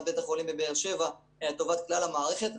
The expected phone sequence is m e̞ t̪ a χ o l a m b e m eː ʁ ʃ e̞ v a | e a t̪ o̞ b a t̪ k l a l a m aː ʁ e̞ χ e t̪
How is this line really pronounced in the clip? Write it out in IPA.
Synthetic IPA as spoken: b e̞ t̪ a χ o l i m b e b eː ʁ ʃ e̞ v a | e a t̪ o̞ v a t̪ k l a l a m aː ʁ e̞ χ e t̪